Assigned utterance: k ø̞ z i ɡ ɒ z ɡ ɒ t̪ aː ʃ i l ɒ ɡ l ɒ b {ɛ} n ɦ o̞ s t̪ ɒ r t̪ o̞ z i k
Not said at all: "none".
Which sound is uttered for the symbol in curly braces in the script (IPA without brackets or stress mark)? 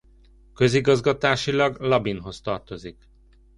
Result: i